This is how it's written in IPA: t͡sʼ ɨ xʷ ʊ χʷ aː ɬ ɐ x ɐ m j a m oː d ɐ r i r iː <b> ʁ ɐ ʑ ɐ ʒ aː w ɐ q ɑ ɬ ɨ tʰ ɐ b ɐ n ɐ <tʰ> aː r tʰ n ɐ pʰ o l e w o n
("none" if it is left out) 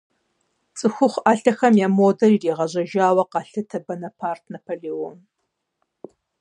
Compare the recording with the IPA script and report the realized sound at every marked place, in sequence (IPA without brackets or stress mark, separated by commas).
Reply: none, pʰ